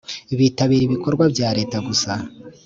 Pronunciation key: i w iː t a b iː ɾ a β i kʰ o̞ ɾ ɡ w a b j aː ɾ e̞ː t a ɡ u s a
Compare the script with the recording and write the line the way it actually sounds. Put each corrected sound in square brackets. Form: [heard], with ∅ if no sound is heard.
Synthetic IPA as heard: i [β] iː t a [β] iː ɾ [i] β i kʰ o̞ ɾ ɡ w a b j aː ɾ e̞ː t a ɡ u s a